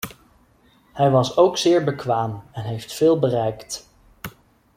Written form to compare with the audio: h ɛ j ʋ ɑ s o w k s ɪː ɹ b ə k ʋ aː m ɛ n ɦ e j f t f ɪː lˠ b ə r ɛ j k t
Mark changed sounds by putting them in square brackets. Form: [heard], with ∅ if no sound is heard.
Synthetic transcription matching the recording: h ɛ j ʋ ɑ s o w k s ɪː ɹ b ə k ʋ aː m ɛ n ɦ e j f t f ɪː lˠ b ə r ɛ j k t